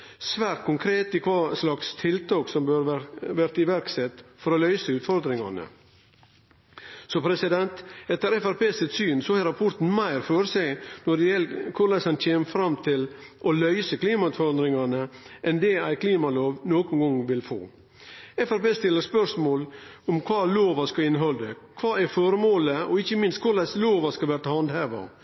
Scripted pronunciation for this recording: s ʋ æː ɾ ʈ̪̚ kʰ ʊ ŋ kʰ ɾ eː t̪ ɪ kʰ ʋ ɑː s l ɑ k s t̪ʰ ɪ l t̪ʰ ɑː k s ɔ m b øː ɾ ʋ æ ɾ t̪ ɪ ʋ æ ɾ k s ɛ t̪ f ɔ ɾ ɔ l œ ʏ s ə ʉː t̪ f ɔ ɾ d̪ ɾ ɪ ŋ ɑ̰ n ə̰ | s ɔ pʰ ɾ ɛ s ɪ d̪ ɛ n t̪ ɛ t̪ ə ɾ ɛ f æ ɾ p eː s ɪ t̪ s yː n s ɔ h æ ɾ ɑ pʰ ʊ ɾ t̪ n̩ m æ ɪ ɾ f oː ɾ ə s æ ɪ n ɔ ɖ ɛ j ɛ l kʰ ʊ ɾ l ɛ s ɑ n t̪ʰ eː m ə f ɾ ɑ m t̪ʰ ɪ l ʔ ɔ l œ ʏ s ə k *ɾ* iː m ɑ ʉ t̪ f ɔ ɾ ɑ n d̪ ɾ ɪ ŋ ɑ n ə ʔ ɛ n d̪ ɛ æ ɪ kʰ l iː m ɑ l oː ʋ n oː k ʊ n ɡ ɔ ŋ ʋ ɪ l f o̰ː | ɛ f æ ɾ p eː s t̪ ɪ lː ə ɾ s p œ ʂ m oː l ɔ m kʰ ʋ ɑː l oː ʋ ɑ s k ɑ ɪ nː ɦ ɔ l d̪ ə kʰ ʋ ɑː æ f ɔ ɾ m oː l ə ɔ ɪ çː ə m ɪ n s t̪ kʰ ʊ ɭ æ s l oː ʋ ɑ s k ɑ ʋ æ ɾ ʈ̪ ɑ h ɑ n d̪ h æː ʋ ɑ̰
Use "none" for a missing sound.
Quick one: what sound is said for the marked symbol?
l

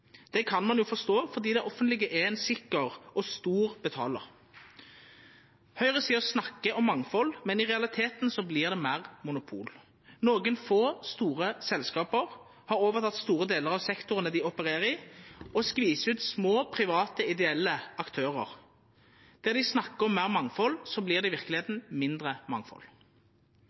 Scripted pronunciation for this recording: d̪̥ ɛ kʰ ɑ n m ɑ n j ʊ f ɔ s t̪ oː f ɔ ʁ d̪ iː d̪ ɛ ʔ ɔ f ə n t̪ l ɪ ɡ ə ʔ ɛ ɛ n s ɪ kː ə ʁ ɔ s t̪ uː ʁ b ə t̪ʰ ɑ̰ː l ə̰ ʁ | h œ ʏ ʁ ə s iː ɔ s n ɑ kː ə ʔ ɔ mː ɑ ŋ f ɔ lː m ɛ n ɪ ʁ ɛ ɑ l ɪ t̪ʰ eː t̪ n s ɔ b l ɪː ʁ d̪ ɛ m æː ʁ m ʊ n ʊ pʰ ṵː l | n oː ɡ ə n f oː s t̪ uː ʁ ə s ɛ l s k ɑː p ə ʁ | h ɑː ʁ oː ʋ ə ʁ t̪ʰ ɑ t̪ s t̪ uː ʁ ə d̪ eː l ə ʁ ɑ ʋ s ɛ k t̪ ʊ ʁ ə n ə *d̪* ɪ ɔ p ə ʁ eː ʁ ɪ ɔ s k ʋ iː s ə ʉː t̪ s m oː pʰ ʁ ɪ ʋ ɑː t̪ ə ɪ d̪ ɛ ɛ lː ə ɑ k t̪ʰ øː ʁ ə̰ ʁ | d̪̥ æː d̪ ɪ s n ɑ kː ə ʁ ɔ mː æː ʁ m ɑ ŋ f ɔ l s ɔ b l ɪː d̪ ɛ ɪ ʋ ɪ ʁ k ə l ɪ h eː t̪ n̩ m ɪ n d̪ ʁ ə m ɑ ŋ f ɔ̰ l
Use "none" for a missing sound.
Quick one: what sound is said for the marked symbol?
d̪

